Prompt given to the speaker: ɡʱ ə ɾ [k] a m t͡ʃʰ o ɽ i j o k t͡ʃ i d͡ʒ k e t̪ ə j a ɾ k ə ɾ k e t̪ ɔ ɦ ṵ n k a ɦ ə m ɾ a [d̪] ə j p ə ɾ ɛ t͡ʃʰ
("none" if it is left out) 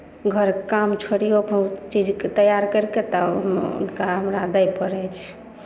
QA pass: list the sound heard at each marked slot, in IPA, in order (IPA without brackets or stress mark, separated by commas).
k, d̪